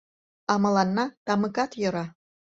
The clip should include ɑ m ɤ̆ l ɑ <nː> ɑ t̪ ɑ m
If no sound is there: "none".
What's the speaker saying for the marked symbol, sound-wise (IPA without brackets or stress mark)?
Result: nː